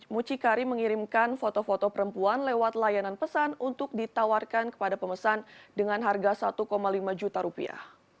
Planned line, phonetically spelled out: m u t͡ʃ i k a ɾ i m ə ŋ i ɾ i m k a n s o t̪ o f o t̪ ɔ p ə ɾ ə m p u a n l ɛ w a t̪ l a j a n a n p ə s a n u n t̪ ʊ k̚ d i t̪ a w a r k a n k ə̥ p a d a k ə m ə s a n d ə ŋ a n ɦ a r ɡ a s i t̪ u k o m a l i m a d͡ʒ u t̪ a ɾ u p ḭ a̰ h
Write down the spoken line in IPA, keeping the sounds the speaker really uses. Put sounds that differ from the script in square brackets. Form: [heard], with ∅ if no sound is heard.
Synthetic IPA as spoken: m u t͡ʃ i k a ɾ i m ə ŋ i ɾ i m k a n [f] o t̪ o f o t̪ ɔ p ə ɾ ə m p u a n l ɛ w a t̪ l a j a n a n p ə s a n u n t̪ ʊ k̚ d i t̪ a w a r k a n k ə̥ p a d a [p] ə m ə s a n d ə ŋ a n ɦ a r ɡ a s [a] t̪ u k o m a l i m a d͡ʒ u t̪ a ɾ u p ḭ a̰ h